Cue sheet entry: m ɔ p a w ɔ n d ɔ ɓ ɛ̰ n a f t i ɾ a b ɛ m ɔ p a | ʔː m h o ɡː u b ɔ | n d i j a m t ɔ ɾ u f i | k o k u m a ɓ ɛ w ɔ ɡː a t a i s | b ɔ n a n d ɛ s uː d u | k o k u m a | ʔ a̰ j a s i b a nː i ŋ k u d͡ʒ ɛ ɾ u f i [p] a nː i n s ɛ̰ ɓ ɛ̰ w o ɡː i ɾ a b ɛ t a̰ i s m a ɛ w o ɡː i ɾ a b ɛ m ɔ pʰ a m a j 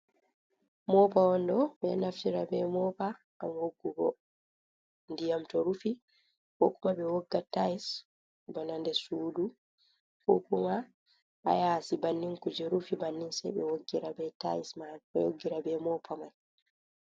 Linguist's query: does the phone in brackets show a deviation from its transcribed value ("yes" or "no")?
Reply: yes